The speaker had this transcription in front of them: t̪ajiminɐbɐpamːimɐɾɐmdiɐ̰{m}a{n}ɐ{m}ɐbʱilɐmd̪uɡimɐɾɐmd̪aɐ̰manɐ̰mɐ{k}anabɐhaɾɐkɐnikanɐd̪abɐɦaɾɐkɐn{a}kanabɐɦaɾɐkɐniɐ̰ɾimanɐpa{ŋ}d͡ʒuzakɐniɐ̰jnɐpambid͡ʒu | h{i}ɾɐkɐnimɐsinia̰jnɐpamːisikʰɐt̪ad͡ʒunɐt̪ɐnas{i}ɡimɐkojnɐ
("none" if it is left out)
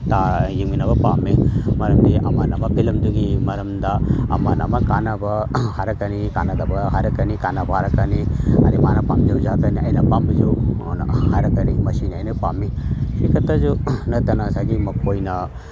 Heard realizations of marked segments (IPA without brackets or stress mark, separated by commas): m, n, m, k, i, m, a, a